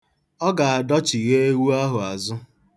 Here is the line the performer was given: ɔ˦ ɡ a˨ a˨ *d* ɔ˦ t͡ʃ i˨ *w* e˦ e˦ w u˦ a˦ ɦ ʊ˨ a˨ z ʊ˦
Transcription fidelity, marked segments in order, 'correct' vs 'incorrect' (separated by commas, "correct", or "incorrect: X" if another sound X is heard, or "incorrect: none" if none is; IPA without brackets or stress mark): correct, incorrect: ɣ